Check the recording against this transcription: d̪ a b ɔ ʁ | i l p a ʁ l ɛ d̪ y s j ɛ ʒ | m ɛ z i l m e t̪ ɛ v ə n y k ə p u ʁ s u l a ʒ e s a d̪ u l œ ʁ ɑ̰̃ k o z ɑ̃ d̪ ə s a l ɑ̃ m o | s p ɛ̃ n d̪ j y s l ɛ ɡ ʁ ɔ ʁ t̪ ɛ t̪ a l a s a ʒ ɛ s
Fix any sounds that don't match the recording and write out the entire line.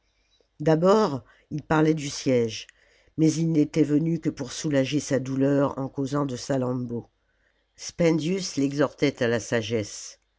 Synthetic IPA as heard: d̪ a b ɔ ʁ | i l p a ʁ l ɛ d̪ y s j ɛ ʒ | m ɛ z i l n e t̪ ɛ v ə n y k ə p u ʁ s u l a ʒ e s a d̪ u l œ ʁ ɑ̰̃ k o z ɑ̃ d̪ ə s a l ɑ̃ b o | s p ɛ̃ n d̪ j y s l ɛ ɡ z ɔ ʁ t̪ ɛ t̪ a l a s a ʒ ɛ s